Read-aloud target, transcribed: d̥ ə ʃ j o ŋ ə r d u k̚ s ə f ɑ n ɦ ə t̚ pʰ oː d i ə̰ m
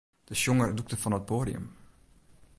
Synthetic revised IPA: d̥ ə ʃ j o ŋ ə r d u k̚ t ə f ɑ n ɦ ə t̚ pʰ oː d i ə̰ m